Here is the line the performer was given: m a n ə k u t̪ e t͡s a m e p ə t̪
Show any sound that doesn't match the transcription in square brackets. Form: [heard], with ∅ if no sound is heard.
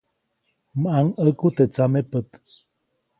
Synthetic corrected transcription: m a [ŋ] ə k u t̪ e t͡s a m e p ə t̪